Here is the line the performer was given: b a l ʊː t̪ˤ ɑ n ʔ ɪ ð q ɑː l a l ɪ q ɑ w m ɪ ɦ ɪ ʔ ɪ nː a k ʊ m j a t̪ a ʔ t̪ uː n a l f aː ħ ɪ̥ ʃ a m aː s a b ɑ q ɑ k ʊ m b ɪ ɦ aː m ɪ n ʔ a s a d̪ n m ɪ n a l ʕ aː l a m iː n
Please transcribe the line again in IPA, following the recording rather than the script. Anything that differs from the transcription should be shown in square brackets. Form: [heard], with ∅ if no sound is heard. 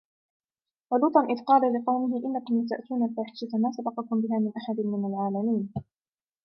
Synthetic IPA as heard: [w] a l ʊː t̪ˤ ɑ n ʔ ɪ ð q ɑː l a l ɪ q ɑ w m ɪ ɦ ɪ ʔ ɪ nː a k ʊ m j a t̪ a ʔ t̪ uː n a l f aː ħ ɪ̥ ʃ a m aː s a b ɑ q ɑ k ʊ m b ɪ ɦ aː m ɪ n ʔ a [ħ] a d̪ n m ɪ n a l ʕ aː l a m iː n